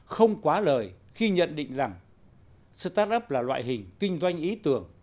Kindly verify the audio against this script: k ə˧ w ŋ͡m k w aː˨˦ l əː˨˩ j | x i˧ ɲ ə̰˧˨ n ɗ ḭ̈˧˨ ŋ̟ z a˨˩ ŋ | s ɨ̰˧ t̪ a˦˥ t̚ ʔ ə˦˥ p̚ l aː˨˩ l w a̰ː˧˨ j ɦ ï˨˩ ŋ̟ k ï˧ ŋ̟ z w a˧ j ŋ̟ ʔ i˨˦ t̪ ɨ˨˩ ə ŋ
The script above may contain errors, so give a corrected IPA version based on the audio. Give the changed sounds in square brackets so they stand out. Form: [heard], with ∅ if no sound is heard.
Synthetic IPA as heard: [x] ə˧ w ŋ͡m k w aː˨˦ l əː˨˩ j | x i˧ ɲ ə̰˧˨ n ɗ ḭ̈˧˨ ŋ̟ z a˨˩ ŋ | s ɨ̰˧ t̪ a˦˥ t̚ ʔ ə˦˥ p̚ l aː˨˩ l w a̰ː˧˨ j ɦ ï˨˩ ŋ̟ k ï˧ ŋ̟ z w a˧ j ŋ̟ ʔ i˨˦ t̪ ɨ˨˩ ə ŋ